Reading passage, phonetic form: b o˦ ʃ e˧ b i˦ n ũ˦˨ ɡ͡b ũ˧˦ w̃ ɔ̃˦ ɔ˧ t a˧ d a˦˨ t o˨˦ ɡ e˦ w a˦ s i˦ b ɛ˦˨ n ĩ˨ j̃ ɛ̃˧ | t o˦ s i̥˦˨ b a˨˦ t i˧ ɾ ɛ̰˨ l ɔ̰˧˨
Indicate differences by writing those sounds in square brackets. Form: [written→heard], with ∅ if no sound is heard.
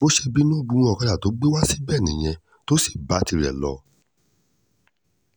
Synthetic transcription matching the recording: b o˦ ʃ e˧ b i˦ n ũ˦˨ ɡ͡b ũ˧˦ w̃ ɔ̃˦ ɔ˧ [t→k] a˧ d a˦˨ t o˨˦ [ɡ→ɡ͡b] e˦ w a˦ s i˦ b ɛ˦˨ n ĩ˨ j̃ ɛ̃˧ | t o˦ s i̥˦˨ b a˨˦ t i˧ ɾ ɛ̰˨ l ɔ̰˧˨

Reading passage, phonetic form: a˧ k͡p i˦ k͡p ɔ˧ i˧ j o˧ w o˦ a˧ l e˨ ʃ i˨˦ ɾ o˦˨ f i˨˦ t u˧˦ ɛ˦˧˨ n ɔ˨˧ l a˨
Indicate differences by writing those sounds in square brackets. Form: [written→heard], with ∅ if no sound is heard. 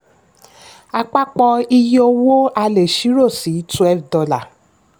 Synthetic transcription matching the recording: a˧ k͡p [i˦→a˦] k͡p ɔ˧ i˧ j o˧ w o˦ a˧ l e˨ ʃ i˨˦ ɾ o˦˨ [f→s] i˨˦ t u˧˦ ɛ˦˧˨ [n→d] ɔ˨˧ l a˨

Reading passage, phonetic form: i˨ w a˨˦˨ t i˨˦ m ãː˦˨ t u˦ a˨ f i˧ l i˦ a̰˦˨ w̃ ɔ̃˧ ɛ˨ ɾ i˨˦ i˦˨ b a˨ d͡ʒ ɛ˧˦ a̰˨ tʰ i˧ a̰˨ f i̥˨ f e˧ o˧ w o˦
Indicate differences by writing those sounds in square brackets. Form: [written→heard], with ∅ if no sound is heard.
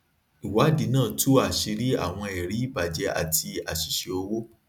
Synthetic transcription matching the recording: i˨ w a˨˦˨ [t→d] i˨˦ [m→n] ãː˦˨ t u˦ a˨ [f→ʃ] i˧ [l→ɾ] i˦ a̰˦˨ w̃ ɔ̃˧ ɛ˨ ɾ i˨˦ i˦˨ b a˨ d͡ʒ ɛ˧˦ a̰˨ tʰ i˧ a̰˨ [f→ʃ] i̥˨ [f→ʃ] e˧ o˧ w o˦

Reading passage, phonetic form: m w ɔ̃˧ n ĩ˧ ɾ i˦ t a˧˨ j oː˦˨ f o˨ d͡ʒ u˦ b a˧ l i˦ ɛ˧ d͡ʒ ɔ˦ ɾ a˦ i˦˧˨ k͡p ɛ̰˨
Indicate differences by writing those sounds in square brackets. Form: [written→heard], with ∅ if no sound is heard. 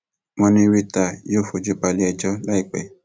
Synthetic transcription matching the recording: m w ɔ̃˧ n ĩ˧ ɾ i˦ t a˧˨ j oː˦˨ f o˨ d͡ʒ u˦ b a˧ l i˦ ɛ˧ d͡ʒ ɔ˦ [ɾ→l] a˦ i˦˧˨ k͡p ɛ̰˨

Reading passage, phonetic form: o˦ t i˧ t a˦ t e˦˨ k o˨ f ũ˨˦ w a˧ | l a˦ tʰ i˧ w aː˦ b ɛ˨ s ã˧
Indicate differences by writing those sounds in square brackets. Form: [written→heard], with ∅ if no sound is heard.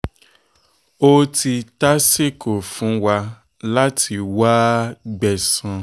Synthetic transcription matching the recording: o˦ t i˧ t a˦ [t→s] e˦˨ k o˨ f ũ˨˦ w a˧ | l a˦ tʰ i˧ w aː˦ [b→ɡ͡b] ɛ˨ s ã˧

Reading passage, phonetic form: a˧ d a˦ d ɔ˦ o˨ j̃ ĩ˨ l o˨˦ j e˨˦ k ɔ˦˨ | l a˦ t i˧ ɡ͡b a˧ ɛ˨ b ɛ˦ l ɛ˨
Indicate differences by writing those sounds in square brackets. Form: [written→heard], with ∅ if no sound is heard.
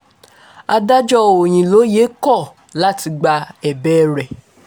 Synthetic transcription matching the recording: a˧ d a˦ [d→d͡ʒ] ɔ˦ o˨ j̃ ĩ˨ l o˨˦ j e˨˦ k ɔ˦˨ | l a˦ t i˧ ɡ͡b a˧ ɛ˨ b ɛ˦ [l→ɾ] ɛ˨

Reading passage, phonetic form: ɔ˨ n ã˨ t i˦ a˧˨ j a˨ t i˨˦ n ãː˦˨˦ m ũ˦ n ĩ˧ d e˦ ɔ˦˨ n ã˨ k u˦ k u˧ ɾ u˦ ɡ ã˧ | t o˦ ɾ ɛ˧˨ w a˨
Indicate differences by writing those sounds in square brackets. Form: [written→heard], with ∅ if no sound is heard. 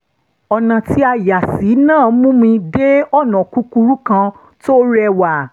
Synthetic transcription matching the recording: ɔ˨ n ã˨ t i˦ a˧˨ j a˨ [t→s] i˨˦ n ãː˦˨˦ m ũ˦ [n→m] ĩ˧ d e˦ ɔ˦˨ n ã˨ k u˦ k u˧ ɾ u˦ [ɡ→k] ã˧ | t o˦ ɾ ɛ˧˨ w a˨

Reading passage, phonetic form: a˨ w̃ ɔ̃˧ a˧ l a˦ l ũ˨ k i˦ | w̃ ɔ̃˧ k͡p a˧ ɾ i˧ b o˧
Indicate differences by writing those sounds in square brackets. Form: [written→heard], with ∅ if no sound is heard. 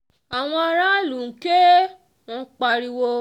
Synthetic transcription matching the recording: a˨ w̃ ɔ̃˧ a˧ [l→ɾ] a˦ l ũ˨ k [i˦→e˦] | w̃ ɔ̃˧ k͡p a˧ ɾ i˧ [b→w] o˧

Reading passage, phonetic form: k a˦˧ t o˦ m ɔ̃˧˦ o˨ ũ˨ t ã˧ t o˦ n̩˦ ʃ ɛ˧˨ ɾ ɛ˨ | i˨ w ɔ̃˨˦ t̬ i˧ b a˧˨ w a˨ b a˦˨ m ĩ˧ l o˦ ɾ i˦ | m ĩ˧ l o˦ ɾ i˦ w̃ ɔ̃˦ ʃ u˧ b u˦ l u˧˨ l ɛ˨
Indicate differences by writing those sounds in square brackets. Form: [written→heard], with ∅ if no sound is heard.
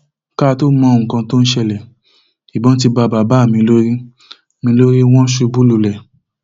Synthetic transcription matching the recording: k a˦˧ t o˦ m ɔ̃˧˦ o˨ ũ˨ [t→k] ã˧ t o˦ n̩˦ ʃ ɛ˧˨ [ɾ→l] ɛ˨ | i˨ [w→b] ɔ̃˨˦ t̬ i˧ b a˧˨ [w→b] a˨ b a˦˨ m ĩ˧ l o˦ ɾ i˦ | m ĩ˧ l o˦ ɾ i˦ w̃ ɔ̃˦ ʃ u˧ b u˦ l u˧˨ l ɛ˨

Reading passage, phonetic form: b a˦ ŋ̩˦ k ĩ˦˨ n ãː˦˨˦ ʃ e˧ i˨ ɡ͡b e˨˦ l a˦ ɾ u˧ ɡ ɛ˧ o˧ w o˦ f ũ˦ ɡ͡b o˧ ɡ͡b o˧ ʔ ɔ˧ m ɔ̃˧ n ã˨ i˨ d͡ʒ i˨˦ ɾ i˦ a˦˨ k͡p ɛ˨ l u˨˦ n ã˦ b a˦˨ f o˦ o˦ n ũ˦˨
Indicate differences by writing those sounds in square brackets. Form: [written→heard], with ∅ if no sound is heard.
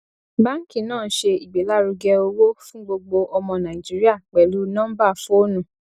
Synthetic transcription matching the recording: b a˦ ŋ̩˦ k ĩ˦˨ n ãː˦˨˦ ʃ e˧ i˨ ɡ͡b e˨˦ l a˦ ɾ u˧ ɡ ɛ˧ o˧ w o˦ f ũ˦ ɡ͡b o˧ ɡ͡b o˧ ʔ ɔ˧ m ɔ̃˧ n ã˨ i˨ d͡ʒ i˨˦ ɾ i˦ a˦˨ k͡p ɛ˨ l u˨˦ n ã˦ b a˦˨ f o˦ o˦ n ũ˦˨

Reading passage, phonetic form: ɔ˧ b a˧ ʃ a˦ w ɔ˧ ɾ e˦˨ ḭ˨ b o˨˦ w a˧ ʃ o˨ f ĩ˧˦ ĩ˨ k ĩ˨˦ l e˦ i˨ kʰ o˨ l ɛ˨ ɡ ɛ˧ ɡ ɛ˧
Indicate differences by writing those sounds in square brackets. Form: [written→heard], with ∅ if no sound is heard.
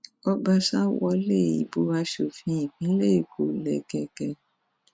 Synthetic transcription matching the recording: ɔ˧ b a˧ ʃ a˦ w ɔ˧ [ɾ→l] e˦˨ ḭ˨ b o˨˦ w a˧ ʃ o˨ f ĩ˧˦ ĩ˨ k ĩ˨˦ l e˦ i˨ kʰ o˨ l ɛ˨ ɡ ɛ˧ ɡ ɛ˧

